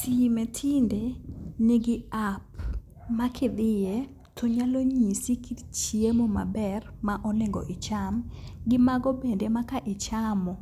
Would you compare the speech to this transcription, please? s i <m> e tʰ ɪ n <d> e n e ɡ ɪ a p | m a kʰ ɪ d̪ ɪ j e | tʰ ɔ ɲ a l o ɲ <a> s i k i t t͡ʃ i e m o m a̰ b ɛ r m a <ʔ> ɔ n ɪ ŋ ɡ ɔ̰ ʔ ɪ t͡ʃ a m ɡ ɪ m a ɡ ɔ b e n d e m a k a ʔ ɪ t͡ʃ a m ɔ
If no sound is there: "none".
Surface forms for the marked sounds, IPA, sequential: m, d, i, ʔ

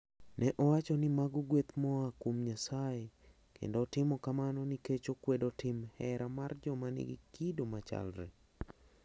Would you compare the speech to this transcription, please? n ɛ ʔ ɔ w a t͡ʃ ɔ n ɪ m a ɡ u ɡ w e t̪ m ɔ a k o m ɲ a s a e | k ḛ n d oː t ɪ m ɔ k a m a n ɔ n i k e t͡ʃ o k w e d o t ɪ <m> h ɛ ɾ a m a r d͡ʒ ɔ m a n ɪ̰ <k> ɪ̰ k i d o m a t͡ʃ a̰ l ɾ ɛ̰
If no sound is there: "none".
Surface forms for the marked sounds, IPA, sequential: m, ɡ

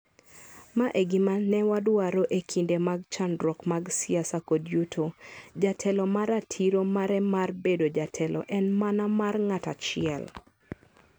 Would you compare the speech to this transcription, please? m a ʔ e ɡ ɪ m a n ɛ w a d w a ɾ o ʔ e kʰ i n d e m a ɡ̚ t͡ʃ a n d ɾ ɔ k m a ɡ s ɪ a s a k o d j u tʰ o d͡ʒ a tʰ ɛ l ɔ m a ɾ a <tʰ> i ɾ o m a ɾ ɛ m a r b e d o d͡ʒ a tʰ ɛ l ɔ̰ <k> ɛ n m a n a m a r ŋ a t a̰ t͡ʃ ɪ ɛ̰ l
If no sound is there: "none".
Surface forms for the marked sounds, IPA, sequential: tʰ, ʔ

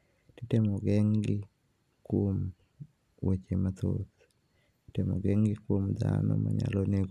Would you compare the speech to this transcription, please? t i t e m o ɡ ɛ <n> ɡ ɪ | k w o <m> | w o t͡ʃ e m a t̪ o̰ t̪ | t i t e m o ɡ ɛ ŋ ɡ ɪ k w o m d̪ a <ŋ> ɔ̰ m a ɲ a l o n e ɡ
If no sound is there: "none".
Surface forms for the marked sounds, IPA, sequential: ŋ, m, n

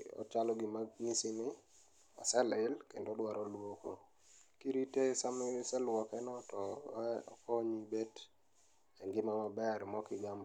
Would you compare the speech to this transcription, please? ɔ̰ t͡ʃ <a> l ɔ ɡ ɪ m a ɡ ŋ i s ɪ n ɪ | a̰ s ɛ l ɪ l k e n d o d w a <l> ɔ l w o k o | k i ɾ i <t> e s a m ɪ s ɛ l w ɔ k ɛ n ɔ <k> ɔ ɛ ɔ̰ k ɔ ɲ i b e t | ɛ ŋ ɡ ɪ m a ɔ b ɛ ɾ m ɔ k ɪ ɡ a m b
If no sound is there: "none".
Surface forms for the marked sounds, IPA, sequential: a, ɾ, t, t

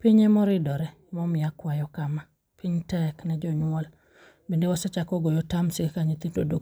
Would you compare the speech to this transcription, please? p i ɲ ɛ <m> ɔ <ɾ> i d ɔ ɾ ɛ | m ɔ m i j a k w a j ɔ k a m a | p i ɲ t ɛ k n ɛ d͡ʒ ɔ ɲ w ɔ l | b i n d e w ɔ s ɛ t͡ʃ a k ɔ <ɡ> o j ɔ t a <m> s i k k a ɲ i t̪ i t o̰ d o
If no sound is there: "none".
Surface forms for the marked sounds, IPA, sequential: m, ɾ, ɡ, m

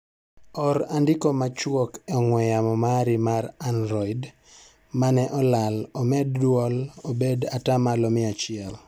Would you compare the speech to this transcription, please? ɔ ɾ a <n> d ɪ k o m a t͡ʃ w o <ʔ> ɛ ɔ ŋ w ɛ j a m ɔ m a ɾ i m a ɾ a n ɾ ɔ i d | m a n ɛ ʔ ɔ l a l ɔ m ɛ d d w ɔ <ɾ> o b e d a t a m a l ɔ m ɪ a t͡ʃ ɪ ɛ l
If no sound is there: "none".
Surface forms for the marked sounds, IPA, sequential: n, k, l

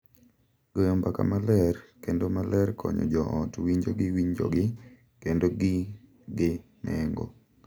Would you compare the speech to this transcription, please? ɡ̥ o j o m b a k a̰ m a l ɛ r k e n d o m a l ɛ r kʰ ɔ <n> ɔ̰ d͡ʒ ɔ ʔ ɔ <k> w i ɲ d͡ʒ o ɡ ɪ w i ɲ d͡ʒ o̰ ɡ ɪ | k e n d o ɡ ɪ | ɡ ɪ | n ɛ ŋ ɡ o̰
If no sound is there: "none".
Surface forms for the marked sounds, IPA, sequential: ɲ, t

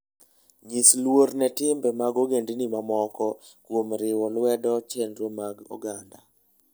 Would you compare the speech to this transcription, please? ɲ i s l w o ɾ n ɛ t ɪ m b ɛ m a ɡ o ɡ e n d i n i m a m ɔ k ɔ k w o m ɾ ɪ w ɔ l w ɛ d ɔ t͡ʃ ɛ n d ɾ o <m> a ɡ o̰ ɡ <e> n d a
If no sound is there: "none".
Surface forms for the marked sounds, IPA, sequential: m, a

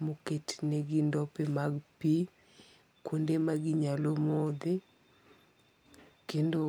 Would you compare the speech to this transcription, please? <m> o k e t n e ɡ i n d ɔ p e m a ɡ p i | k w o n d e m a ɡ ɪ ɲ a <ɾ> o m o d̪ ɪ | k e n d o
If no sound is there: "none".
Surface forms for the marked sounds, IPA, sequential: m, l

